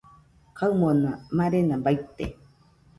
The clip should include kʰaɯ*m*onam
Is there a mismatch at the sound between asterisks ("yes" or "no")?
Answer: no